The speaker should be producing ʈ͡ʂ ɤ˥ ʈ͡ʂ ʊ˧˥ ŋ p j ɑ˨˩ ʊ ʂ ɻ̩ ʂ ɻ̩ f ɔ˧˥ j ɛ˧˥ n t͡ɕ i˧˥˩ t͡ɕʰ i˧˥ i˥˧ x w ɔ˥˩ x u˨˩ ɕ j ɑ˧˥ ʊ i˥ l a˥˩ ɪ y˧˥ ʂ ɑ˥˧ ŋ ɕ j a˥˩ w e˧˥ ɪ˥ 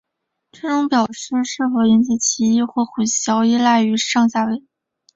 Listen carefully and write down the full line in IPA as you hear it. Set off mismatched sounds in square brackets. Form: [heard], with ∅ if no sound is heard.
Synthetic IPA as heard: ʈ͡ʂ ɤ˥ ʈ͡ʂ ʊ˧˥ ŋ p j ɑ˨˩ ʊ ʂ ɻ̩ ʂ ɻ̩ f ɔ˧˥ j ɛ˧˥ n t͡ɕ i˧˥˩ t͡ɕʰ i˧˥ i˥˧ x w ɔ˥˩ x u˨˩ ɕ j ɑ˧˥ ʊ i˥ l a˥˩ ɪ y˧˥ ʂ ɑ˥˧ ŋ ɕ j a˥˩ w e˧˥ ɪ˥